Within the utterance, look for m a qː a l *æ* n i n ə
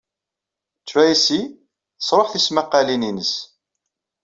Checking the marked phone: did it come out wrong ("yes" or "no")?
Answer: yes